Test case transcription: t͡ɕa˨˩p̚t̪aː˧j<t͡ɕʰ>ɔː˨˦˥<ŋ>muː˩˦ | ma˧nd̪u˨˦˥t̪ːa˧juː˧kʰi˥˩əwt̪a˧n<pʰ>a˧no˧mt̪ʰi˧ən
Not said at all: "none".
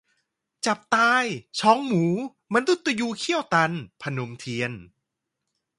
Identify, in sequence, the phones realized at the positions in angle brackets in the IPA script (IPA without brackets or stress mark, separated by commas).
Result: t͡ɕʰ, ŋ, pʰ